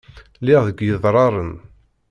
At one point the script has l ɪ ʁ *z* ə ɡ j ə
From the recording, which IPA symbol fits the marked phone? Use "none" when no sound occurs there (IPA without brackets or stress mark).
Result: ð